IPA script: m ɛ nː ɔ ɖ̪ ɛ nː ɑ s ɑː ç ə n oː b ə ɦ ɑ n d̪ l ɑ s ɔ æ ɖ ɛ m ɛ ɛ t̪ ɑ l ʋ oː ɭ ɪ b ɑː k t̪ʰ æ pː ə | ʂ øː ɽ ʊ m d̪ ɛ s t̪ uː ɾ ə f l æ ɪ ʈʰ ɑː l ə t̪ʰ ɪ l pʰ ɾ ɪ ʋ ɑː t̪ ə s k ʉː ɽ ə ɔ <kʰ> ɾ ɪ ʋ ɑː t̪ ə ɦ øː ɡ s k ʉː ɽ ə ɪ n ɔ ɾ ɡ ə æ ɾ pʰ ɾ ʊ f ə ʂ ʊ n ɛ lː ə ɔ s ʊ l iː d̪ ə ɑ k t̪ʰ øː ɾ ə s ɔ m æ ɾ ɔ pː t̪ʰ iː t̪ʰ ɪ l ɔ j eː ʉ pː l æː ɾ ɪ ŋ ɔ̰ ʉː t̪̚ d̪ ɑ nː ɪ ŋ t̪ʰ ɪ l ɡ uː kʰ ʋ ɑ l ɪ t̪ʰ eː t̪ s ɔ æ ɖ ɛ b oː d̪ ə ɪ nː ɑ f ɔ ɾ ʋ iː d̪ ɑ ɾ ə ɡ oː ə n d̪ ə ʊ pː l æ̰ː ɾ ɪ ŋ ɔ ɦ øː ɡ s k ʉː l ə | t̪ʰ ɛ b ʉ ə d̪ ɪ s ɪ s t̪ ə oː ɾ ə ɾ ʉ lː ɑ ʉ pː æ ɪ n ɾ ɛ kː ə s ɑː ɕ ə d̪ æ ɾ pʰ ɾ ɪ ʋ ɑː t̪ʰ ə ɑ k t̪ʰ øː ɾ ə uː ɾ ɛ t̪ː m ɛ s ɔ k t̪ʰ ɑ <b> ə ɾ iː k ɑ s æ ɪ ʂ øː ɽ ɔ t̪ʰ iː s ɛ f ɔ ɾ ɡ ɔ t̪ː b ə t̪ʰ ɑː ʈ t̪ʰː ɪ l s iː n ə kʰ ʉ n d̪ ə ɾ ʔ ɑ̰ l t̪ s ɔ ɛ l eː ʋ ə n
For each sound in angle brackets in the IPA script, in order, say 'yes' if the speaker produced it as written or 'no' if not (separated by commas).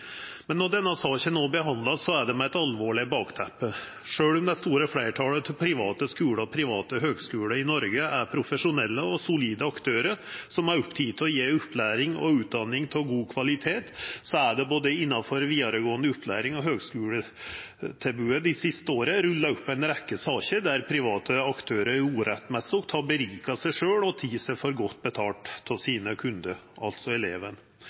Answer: no, yes